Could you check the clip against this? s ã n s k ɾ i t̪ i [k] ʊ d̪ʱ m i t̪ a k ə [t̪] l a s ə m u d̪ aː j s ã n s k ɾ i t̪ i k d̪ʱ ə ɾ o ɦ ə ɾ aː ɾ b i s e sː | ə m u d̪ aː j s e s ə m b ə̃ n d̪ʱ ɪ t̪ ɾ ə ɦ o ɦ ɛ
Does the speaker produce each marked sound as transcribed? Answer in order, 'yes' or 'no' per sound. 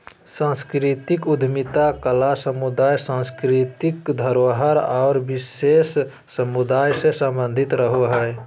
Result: yes, no

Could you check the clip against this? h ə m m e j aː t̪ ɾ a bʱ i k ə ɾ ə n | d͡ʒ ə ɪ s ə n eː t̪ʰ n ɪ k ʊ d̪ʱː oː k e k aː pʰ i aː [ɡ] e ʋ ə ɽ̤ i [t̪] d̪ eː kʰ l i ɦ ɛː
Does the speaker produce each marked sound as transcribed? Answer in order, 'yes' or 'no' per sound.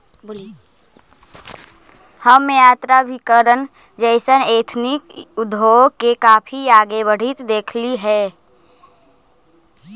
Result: yes, yes

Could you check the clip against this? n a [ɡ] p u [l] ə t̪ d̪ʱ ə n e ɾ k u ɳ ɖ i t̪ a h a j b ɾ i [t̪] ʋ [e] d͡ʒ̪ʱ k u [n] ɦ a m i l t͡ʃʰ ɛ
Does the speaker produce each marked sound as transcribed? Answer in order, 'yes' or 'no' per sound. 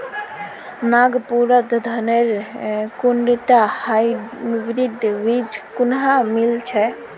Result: yes, no, no, no, yes

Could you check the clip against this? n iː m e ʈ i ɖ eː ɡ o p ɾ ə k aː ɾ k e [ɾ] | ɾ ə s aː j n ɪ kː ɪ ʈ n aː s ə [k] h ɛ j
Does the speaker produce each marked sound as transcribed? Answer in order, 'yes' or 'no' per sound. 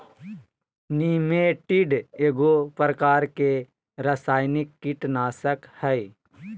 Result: no, yes

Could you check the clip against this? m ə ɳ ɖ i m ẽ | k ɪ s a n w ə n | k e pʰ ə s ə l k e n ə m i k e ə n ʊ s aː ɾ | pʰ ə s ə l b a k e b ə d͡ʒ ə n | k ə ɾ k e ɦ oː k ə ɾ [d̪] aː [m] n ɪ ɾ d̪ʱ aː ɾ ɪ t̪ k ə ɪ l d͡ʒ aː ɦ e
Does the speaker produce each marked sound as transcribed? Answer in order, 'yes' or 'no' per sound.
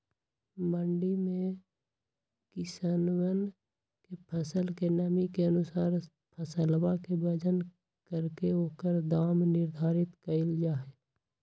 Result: yes, yes

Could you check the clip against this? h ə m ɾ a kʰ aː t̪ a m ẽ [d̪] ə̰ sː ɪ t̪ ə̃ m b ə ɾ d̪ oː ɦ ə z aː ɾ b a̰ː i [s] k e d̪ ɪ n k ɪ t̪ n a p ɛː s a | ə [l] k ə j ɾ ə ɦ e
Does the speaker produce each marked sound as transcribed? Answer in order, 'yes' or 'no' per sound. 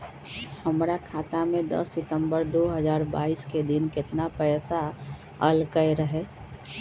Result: yes, yes, yes

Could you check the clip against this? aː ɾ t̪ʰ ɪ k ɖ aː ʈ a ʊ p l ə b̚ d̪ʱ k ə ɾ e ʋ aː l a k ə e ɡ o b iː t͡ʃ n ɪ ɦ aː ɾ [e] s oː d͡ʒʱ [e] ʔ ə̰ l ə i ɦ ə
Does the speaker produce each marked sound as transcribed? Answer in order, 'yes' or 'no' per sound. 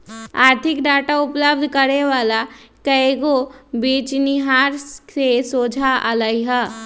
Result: yes, no

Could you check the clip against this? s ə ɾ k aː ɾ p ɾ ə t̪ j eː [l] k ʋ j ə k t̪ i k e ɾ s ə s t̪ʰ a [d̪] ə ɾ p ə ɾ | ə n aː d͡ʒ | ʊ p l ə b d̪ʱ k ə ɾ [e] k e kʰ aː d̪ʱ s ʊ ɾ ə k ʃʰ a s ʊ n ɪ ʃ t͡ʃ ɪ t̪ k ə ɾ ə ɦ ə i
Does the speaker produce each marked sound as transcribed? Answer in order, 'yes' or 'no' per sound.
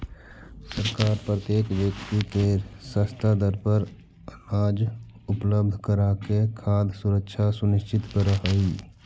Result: no, yes, no

